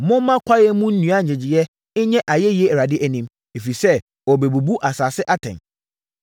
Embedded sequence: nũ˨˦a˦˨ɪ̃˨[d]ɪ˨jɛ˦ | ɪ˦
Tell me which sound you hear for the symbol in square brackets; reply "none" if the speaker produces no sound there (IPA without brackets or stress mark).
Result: d͡ʑ